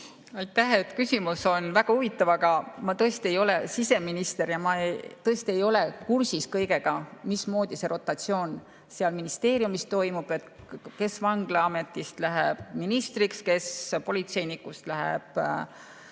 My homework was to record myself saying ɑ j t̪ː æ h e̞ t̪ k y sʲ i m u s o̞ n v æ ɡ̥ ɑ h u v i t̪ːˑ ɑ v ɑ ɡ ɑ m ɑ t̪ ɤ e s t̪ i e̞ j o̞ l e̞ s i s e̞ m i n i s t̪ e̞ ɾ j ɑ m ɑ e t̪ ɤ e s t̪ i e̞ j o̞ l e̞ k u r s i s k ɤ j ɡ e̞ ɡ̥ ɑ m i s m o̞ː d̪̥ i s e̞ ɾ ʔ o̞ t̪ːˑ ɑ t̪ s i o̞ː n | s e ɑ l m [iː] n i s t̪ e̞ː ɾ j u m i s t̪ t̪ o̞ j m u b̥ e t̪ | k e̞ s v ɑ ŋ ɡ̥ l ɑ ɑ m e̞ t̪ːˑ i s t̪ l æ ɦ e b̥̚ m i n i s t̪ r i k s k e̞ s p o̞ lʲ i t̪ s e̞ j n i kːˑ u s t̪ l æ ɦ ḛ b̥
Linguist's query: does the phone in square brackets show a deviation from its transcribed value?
yes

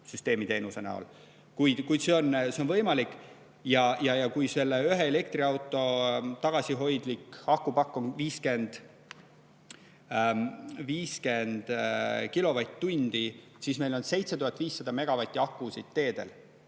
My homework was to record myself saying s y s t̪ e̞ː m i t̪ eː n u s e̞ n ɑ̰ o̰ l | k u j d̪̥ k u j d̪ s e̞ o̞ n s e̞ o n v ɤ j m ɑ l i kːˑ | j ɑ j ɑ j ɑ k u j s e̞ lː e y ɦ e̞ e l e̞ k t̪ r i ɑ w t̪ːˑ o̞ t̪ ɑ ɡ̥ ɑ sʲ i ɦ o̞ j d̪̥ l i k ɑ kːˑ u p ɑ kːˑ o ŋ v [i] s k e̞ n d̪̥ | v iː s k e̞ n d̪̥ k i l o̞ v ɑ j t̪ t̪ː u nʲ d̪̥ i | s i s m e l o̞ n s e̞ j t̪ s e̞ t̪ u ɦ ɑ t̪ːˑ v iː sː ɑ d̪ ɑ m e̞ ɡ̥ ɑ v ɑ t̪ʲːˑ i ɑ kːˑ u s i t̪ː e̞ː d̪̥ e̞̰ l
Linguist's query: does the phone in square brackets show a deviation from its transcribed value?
yes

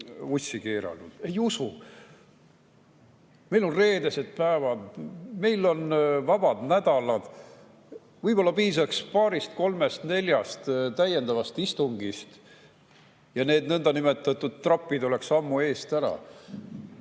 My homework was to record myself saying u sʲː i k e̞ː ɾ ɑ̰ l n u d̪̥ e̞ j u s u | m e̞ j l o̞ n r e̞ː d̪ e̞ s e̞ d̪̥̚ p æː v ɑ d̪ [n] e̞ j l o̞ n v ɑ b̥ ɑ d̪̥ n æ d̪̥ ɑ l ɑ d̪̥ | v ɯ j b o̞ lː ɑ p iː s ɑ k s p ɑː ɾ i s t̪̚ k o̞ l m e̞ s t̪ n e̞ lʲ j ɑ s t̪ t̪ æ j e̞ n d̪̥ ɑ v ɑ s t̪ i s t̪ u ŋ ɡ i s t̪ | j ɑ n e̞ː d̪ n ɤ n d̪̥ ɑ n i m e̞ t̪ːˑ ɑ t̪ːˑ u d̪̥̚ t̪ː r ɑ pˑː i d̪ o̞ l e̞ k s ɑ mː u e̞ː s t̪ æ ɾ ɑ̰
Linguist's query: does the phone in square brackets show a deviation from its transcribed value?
yes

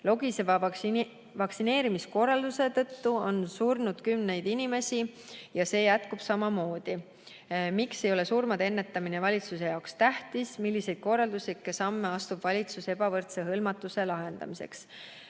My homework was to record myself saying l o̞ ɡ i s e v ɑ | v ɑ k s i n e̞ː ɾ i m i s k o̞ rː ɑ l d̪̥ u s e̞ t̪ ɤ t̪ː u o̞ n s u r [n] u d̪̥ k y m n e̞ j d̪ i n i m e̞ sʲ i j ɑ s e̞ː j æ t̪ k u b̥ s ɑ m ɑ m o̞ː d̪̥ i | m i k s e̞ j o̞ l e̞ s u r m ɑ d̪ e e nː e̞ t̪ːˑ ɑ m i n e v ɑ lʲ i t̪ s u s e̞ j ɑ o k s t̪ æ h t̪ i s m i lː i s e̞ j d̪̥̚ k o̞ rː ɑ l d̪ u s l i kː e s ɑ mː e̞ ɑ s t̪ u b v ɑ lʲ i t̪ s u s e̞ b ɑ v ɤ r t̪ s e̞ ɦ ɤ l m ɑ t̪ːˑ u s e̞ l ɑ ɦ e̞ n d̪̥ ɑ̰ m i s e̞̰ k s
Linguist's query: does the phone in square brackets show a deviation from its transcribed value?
no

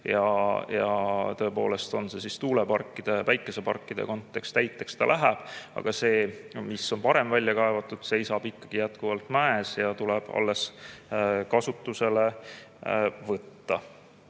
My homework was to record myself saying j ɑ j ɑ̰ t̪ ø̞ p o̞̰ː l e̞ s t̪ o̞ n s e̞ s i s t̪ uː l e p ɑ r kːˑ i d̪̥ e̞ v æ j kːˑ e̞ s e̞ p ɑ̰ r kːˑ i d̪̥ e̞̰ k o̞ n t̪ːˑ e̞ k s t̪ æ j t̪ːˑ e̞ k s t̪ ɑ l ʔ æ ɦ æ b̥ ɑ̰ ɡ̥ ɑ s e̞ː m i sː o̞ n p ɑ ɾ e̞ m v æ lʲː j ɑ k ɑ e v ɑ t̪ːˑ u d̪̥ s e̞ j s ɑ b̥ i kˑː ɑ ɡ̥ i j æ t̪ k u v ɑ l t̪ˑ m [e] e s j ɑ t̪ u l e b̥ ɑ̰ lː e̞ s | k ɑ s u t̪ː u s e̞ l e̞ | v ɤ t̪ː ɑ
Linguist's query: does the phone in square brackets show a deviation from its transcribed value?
yes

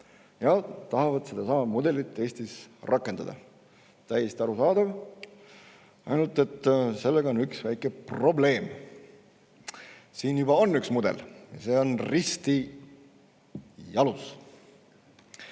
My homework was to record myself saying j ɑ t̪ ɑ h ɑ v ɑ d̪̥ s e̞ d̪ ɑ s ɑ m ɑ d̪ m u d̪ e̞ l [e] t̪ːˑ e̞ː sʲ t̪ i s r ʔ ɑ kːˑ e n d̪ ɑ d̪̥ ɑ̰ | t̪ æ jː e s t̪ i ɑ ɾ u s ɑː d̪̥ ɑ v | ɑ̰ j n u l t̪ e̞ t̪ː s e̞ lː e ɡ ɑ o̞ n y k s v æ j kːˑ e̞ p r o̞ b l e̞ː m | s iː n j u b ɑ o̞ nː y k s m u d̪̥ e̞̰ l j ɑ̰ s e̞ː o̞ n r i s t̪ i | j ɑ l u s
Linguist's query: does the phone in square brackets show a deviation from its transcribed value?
yes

